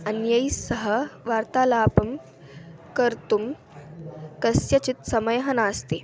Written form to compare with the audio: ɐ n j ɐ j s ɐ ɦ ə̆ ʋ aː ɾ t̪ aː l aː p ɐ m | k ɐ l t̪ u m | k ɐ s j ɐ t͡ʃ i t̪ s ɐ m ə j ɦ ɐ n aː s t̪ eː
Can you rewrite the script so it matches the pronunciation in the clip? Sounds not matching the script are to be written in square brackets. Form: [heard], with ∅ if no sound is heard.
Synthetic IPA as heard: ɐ n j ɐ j s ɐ ɦ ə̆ ʋ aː ɾ t̪ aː l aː p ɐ m | k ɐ [ɾ] t̪ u m | k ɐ s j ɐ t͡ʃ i t̪ s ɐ m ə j ɦ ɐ n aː s t̪ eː